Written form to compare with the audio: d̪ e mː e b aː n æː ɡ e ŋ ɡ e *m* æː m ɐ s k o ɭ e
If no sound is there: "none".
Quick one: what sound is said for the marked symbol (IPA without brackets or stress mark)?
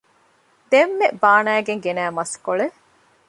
n